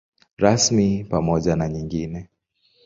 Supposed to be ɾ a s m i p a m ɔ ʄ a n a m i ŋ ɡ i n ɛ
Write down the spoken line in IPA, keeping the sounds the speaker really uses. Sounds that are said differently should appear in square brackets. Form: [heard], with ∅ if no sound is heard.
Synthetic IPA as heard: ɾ a s m i p a m ɔ ʄ a n a [ɲ] i ŋ ɡ i n ɛ